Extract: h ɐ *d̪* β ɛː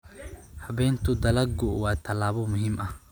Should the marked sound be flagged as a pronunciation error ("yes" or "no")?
yes